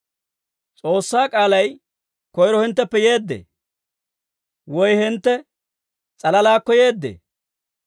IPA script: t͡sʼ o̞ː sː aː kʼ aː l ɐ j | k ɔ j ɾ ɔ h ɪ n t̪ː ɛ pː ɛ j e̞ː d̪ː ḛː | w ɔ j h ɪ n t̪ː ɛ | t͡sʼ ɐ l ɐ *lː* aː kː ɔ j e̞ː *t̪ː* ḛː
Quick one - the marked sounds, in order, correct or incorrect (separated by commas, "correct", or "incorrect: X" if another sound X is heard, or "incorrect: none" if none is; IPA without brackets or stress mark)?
incorrect: l, incorrect: d̪ː